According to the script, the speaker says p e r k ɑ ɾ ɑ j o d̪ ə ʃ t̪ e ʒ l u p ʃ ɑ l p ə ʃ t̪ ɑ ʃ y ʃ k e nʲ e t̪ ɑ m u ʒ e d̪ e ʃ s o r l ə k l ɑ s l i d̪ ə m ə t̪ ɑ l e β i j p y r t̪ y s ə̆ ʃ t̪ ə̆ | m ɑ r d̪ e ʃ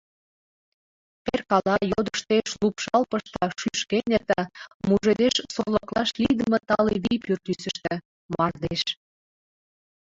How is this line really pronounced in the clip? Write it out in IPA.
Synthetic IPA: p e r k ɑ l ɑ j o d̪ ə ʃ t̪ e ʃ l u p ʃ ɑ l p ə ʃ t̪ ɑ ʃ y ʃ k e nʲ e t̪ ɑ m u ʒ e d̪ e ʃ s o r l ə k l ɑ ʃ l i d̪ ə m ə t̪ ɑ l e β i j p y r t̪ y s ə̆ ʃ t̪ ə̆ | m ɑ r d̪ e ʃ